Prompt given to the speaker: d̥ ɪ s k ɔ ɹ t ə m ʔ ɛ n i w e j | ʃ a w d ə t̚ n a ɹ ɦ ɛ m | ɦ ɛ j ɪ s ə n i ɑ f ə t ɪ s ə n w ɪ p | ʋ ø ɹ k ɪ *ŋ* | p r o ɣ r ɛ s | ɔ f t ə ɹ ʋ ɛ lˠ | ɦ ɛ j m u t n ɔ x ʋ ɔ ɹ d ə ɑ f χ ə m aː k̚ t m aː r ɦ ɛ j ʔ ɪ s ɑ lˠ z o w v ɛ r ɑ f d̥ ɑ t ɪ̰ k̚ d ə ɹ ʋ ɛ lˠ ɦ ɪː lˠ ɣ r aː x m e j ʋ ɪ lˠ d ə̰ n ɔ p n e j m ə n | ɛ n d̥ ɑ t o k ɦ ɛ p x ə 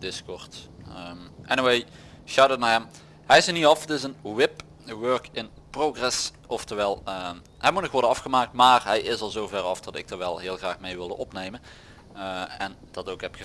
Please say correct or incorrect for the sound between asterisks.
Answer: incorrect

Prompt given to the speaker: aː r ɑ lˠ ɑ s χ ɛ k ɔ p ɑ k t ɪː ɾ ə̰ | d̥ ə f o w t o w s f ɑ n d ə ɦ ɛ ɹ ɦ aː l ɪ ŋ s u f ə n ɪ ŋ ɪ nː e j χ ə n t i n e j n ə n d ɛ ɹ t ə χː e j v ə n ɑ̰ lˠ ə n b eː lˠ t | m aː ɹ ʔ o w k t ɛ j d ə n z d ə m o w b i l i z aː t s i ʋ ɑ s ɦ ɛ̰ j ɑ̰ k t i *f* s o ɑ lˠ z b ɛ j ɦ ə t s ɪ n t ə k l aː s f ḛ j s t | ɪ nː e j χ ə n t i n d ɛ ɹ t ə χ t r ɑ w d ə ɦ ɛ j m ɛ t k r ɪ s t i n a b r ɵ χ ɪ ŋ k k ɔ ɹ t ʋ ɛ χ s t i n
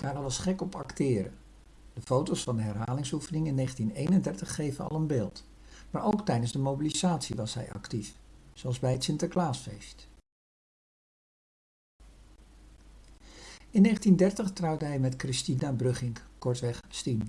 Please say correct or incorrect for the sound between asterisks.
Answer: correct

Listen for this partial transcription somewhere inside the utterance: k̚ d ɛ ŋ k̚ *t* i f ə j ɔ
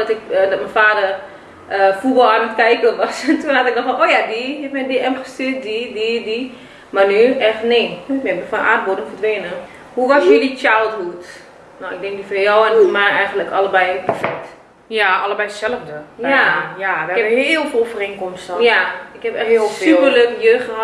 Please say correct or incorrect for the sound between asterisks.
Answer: incorrect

